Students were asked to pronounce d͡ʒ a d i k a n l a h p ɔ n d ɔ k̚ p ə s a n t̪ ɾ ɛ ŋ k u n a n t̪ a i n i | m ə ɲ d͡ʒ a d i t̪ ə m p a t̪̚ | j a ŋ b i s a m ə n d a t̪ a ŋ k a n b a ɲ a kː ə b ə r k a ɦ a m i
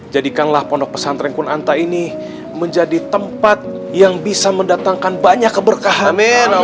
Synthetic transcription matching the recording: d͡ʒ a d i k a n l a h p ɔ n d ɔ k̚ p ə s a n t̪ ɾ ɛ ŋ k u n a n t̪ a i n i | m ə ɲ d͡ʒ a d i t̪ ə m p a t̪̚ | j a ŋ b i s a m ə n d a t̪ a ŋ k a n b a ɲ a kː ə b ə r k a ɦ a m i